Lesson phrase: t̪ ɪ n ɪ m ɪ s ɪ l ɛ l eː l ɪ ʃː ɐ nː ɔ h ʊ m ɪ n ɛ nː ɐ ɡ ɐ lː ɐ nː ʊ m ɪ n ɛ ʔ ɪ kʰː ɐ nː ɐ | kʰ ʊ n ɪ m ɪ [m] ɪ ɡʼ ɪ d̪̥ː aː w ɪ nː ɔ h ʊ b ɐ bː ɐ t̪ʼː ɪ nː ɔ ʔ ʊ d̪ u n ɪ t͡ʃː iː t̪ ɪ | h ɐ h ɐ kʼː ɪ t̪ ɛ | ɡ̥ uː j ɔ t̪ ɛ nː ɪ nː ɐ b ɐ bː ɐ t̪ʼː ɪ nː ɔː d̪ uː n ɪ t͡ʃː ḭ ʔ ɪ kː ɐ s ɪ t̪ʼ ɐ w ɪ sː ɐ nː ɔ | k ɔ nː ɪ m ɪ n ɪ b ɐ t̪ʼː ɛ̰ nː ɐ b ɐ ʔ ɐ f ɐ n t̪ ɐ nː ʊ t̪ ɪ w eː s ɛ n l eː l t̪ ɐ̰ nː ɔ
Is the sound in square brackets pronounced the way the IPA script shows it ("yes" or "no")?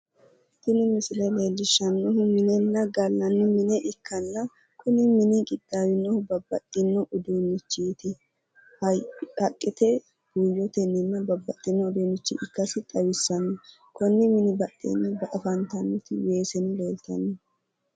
no